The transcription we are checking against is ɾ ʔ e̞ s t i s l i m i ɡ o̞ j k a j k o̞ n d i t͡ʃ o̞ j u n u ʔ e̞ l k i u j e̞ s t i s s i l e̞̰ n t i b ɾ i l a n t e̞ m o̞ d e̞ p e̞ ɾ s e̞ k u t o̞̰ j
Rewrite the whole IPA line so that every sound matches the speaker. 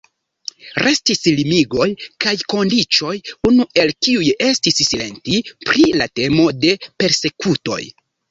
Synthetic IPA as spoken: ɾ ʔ e̞ s t i s l i m i ɡ o̞ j k a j k o̞ n d i t͡ʃ o̞ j u n u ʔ e̞ l k i u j e̞ s t i s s i l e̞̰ n t i p ɾ i l a t e̞ m o̞ d e̞ p e̞ ɾ s e̞ k u t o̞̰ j